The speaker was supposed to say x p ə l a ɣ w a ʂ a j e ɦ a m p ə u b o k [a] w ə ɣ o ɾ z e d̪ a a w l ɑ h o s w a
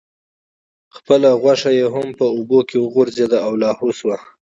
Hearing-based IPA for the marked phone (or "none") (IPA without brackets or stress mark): e